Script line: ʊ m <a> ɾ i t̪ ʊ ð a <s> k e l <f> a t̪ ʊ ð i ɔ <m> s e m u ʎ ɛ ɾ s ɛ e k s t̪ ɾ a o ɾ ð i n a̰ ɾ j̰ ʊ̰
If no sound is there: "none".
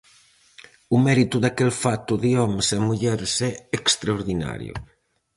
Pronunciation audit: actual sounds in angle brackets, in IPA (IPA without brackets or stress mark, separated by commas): ɛ, none, f, m